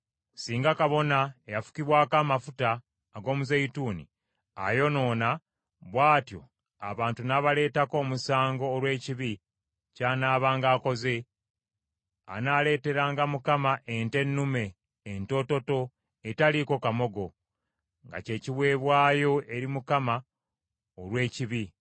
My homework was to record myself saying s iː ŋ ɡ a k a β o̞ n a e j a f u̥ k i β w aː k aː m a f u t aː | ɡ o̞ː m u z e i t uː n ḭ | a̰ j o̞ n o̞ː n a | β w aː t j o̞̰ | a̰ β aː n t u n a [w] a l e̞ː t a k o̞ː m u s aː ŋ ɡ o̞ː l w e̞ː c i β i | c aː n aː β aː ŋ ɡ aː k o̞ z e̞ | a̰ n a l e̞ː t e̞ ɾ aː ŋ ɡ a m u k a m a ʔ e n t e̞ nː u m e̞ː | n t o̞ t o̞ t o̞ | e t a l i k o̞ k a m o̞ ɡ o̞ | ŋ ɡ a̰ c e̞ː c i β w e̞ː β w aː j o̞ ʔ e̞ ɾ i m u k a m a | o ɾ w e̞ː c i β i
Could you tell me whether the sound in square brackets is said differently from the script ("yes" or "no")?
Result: yes